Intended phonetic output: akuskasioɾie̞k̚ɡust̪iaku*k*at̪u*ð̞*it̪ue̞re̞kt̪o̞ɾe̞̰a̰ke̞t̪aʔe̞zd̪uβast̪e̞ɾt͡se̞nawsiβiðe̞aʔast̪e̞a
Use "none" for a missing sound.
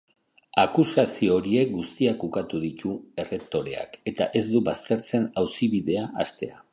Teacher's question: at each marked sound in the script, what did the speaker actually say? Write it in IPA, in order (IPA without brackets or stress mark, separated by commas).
k, ð̞